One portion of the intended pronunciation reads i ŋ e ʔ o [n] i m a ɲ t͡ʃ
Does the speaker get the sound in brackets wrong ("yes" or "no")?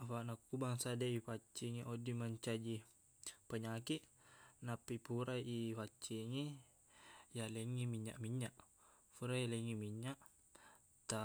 yes